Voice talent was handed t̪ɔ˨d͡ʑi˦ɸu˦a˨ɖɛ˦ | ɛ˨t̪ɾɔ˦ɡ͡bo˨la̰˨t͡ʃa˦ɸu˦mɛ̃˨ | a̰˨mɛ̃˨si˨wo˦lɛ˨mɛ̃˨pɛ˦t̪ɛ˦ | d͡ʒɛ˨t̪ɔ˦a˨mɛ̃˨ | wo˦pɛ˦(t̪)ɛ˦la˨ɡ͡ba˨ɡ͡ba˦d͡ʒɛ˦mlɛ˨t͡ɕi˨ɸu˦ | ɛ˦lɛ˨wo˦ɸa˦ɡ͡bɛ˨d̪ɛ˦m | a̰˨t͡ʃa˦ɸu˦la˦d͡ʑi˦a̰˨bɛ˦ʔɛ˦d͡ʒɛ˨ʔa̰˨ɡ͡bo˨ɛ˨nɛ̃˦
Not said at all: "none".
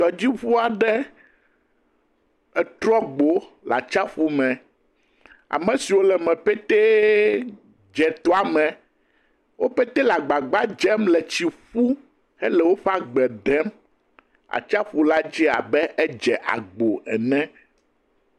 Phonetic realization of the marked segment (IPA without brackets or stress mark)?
t̪